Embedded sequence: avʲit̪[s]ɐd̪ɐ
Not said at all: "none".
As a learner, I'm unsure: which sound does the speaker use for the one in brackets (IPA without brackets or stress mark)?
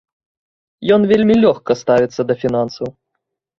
sː